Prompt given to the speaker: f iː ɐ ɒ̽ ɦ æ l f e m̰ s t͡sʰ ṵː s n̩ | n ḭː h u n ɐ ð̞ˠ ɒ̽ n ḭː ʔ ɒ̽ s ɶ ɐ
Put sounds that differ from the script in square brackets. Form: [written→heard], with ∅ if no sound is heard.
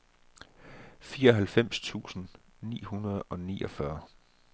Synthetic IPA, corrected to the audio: f iː ɐ ɒ̽ ɦ æ l f e m̰ s t͡sʰ ṵː s n̩ | n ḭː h u n ɐ ð̞ˠ ɒ̽ n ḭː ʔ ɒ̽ [s→f] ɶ ɐ